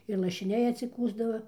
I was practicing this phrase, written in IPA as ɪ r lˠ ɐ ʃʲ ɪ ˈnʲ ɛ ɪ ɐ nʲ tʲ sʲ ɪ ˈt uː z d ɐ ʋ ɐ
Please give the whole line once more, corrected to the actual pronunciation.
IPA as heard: ɪ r lˠ ɐ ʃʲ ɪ ˈnʲ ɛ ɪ ɐ tʲ sʲ ɪ ˈk uː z d ɐ ʋ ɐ